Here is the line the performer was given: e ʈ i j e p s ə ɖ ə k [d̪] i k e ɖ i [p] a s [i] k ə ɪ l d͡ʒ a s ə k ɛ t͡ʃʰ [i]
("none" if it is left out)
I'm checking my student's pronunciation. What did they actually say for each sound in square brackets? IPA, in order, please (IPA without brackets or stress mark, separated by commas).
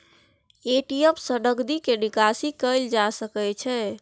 d̪, k, i, ɛ